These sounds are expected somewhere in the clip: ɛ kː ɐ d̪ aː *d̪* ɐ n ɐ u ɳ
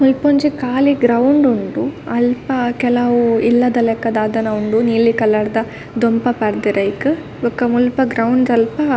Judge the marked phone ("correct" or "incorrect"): correct